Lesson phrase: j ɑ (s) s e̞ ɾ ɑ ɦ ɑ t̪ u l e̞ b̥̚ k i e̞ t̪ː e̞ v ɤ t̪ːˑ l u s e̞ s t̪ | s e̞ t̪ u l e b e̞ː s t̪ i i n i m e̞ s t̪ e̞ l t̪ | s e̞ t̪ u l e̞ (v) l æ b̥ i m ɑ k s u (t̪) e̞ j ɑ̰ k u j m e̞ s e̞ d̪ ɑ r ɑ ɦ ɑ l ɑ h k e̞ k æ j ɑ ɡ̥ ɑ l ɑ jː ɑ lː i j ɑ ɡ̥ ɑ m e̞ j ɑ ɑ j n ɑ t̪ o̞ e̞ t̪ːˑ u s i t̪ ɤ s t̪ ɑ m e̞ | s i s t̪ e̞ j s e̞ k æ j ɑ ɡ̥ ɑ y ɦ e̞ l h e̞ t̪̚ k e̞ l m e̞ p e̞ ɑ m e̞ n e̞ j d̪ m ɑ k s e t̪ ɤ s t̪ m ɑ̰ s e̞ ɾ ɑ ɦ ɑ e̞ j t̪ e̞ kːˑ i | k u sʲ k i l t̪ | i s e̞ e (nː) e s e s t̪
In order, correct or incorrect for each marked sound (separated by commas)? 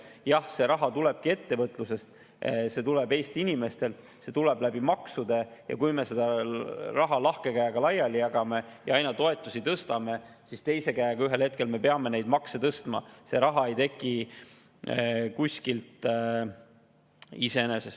incorrect, incorrect, incorrect, incorrect